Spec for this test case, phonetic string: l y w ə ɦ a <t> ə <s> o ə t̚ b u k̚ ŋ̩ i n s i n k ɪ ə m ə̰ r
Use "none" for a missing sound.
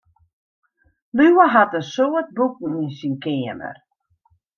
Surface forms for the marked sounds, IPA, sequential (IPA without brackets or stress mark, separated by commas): t, s